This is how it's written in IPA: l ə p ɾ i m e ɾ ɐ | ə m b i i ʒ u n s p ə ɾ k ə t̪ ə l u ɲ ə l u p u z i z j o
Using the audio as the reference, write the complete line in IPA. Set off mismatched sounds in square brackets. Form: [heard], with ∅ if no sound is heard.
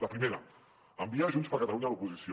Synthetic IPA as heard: l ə p ɾ i m e ɾ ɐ | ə m b i [a] ʒ u n s p ə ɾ k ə t̪ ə l u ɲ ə l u p u z i [s] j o